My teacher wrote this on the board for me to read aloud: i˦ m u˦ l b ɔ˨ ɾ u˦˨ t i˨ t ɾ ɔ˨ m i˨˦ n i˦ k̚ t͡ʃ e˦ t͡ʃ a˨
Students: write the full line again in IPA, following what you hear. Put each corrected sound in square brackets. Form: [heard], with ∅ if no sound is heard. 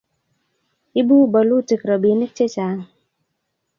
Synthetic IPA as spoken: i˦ [b] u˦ [∅] b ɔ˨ [l] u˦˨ t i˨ [k] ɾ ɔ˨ [b] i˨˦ n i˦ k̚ t͡ʃ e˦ t͡ʃ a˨